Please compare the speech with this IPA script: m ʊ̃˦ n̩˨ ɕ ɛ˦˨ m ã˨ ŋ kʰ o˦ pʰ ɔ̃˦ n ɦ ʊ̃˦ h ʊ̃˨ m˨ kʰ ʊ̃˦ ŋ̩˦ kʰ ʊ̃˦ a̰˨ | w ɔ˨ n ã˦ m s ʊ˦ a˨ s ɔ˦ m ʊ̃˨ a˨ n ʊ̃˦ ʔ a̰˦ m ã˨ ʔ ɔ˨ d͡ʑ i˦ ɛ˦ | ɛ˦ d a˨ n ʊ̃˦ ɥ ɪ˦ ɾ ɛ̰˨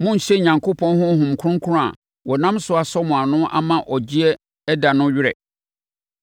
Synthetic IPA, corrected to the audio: m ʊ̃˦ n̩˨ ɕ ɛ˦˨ ɲ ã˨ ŋ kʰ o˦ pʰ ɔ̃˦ n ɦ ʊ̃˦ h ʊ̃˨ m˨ kʰ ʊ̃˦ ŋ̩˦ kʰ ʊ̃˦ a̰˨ | w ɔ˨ n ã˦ m s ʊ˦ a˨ s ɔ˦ m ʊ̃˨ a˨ n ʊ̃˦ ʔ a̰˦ m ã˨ ʔ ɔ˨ d͡ʑ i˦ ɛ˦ | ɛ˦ d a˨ n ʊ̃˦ ɥ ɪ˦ ɾ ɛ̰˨